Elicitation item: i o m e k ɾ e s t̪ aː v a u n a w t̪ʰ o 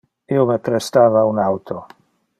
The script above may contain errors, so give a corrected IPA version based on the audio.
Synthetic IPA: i o m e p ɾ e s t̪ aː v a u n a w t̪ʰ o